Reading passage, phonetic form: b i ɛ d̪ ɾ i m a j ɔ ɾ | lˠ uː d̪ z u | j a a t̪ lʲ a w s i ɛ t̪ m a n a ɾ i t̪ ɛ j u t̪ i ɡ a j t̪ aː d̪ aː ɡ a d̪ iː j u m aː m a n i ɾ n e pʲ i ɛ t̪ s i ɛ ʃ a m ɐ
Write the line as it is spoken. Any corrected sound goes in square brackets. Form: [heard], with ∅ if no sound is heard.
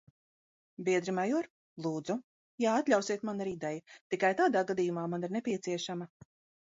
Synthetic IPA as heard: b i ɛ d̪ ɾ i m a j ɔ ɾ | lˠ uː d̪ z u | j a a t̪ lʲ a w s i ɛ t̪ m a n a ɾ i [d̪] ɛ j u t̪ i [k] a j t̪ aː d̪ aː ɡ a d̪ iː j u m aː m a n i ɾ n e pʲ i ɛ t̪ s i ɛ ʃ a m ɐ